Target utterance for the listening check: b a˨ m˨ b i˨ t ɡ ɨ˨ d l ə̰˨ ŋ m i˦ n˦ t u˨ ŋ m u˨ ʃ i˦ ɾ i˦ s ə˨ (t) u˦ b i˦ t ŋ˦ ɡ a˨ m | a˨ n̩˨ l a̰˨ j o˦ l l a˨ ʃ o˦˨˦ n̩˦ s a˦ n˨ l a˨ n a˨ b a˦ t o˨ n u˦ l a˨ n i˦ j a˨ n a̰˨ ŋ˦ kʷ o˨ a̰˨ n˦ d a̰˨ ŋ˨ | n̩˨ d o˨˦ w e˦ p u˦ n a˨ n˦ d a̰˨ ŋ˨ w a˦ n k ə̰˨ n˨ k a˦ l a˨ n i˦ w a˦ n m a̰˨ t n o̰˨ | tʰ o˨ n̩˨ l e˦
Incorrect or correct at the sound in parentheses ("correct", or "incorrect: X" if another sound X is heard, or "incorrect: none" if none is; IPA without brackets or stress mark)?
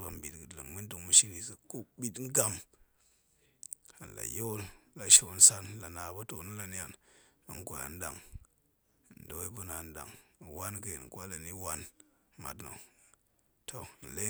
incorrect: k